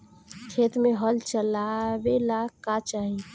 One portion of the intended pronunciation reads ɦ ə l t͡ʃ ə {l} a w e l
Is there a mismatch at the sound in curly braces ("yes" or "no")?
no